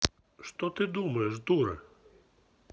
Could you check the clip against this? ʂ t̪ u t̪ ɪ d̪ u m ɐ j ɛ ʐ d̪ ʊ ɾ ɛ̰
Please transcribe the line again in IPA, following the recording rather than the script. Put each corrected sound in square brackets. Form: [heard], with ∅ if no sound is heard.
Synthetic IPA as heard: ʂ t̪ [ɔ] t̪ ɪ d̪ u m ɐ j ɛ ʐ d̪ [u] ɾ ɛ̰

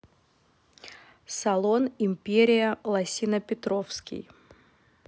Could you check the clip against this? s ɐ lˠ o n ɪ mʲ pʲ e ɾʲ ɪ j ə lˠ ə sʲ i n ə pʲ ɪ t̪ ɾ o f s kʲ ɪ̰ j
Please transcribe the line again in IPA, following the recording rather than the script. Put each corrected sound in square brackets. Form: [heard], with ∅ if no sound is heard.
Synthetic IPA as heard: s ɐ lˠ o n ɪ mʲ pʲ e ɾʲ ɪ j ə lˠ [ɐ] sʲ i n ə pʲ ɪ t̪ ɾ o f s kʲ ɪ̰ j

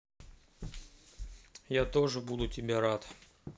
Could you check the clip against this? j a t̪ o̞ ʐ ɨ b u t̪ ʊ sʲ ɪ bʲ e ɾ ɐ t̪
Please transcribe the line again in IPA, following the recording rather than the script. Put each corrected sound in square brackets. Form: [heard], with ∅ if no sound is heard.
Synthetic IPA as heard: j a t̪ o̞ ʐ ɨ b u [d̪] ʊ [tʲ] ɪ bʲ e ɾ [a] t̪

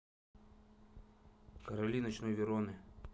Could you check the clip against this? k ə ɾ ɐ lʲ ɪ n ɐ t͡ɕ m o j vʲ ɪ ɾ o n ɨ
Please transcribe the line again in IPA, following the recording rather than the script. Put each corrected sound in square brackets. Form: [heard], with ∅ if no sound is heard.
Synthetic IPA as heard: k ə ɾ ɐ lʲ [i] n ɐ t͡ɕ [n] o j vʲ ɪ ɾ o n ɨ

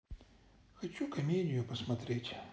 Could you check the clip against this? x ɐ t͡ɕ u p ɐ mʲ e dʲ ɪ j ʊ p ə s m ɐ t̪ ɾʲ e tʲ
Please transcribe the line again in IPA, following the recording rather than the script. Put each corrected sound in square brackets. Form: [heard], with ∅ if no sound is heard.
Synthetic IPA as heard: x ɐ t͡ɕ u [k] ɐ mʲ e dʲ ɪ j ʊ p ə s m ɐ t̪ ɾʲ e tʲ

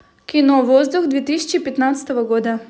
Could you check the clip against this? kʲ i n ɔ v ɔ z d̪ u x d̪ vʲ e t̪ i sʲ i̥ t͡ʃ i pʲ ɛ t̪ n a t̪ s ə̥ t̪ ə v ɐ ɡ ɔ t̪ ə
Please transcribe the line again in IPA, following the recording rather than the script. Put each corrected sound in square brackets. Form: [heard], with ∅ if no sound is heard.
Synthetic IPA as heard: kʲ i n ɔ v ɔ z d̪ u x d̪ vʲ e t̪ i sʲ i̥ t͡ʃ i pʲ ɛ t̪ n a t̪ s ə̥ t̪ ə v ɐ ɡ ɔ [d̪] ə

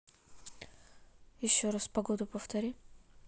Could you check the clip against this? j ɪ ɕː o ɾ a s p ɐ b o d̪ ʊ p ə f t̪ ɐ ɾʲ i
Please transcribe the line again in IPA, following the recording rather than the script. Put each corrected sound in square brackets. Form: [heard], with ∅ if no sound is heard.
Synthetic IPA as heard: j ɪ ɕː o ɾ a s p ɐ [ɡ] o d̪ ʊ p ə f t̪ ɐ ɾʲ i

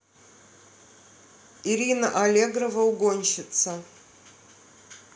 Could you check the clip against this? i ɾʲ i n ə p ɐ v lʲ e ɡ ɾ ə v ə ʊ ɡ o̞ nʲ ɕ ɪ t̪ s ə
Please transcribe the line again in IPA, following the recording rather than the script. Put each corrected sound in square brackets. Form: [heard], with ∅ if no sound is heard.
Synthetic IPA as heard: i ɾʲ i n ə [ʔ] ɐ [∅] lʲ e ɡ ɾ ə v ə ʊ ɡ o̞ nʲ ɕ ɪ t̪ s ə

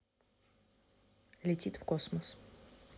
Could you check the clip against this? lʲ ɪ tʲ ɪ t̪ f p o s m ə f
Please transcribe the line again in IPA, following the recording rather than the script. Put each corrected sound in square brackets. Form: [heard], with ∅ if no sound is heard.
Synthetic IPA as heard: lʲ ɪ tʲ [i] t̪ f [k] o s m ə [s]

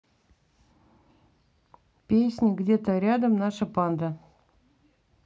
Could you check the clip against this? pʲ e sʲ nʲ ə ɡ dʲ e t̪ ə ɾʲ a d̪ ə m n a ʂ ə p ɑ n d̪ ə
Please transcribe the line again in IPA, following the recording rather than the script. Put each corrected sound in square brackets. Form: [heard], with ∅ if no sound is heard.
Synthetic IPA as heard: pʲ e sʲ nʲ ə ɡ dʲ e t̪ ə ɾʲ a d̪ ə m n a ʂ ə p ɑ n d̪ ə

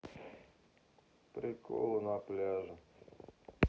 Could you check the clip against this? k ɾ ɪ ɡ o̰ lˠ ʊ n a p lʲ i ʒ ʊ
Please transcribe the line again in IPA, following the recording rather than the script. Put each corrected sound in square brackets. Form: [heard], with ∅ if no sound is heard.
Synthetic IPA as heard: [p] ɾ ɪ [k] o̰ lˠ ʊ n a p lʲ [a] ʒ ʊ

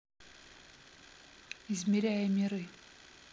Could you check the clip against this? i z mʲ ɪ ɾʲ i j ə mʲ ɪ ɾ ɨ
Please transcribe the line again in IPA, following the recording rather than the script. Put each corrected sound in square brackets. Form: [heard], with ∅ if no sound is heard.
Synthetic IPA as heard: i z mʲ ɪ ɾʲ [æ] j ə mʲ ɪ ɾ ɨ

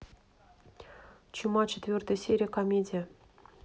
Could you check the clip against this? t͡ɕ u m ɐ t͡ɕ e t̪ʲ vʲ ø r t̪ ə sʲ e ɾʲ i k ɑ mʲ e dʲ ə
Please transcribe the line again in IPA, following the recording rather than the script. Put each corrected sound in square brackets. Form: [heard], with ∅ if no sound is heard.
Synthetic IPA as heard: t͡ɕ u m [ɑ] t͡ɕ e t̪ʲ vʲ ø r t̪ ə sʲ e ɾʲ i k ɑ mʲ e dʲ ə

